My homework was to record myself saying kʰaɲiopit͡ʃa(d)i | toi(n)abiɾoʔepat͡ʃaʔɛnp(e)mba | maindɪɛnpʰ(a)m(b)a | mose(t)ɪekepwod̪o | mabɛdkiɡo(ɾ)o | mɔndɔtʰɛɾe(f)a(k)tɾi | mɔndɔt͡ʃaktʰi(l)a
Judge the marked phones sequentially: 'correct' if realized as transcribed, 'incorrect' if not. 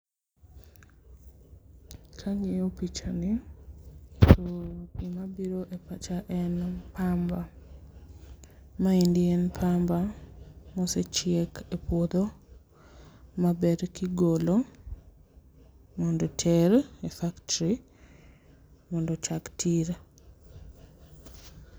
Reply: incorrect, incorrect, incorrect, correct, correct, incorrect, incorrect, correct, correct, incorrect

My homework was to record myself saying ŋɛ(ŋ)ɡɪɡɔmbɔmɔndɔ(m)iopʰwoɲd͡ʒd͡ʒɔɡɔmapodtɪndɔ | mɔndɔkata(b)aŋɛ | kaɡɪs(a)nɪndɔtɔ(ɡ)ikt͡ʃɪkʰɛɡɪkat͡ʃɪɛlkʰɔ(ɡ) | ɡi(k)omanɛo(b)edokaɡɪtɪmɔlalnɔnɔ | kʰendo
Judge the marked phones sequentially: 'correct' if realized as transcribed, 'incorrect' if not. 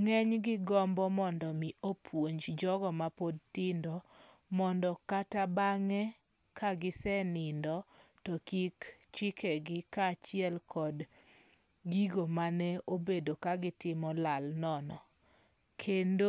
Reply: incorrect, correct, correct, incorrect, incorrect, incorrect, incorrect, correct

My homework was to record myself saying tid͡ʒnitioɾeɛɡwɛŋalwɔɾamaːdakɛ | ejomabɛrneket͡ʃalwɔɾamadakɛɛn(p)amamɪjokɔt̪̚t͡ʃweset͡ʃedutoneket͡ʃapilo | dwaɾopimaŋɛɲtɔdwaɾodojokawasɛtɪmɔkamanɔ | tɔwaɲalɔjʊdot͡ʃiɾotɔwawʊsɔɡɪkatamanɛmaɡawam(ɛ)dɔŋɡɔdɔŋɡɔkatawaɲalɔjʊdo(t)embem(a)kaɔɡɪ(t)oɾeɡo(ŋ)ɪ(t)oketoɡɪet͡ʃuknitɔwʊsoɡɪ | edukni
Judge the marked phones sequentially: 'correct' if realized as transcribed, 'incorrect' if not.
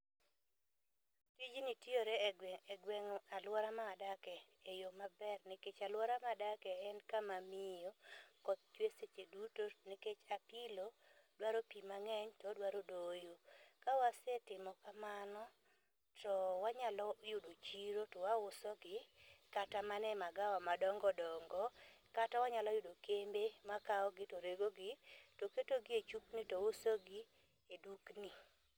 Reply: incorrect, incorrect, incorrect, correct, correct, incorrect, correct

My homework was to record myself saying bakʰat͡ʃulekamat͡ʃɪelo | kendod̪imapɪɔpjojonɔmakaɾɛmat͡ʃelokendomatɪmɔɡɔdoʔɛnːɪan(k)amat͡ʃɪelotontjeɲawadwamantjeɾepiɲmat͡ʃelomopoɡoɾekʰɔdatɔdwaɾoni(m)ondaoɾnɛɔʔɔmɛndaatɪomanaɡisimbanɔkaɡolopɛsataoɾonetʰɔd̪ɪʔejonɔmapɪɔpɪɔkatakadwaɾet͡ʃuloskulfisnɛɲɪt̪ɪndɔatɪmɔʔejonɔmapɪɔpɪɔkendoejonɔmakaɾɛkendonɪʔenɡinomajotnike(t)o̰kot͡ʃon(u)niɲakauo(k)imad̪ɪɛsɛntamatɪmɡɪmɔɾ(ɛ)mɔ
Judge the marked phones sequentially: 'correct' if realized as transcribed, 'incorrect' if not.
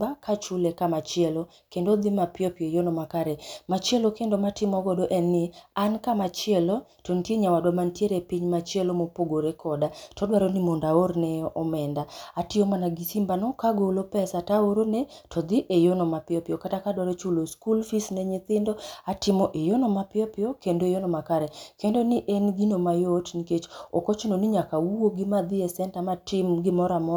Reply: correct, correct, incorrect, incorrect, incorrect, incorrect

